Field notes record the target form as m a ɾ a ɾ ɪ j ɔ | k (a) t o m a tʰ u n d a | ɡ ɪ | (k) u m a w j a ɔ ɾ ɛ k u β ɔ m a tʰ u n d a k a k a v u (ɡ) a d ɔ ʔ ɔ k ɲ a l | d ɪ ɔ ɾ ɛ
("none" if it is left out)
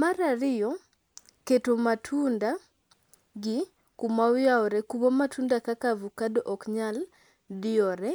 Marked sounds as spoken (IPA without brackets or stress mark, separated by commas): e, k, k